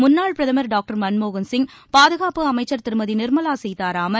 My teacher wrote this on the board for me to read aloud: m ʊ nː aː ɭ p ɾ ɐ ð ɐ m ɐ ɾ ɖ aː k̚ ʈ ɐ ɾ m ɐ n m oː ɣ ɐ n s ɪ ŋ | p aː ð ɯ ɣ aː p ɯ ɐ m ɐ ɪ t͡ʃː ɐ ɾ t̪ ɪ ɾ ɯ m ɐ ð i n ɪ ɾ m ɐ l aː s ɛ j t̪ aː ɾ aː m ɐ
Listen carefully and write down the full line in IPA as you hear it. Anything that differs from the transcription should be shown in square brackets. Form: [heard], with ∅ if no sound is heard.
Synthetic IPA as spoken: m ʊ nː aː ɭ p ɾ ɐ ð ɐ m ɐ ɾ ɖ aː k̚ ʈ ɐ ɾ m ɐ n m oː ɣ ɐ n s ɪ ŋ | p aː ð ɯ ɣ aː p ɯ ɐ m ɐ ɪ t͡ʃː ɐ ɾ t̪ ɪ ɾ ɯ m ɐ ð i n ɪ ɾ m ɐ l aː s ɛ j t̪ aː ɾ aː m ɐ